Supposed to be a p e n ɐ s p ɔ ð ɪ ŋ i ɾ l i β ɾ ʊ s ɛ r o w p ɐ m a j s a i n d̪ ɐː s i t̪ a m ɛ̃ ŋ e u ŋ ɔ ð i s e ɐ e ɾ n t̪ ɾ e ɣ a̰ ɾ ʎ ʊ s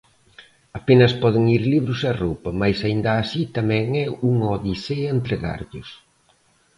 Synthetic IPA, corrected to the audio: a p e n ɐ s p ɔ ð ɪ ŋ i ɾ l i β ɾ ʊ s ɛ r o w p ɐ m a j s a i n d̪ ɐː s i t̪ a m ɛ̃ ŋ ɛ u ŋ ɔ ð i s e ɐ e n t̪ ɾ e ɣ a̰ ɾ ʎ ʊ s